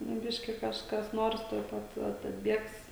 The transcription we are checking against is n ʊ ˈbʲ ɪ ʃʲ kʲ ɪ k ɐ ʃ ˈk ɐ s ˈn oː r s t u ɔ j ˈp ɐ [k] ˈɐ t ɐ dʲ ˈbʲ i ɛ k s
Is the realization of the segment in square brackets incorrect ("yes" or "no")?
yes